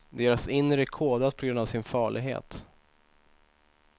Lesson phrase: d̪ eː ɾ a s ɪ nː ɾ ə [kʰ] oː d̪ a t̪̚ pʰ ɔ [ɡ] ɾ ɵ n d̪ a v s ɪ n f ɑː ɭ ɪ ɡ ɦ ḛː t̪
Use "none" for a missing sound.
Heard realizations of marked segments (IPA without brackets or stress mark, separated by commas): kʰ, ɡ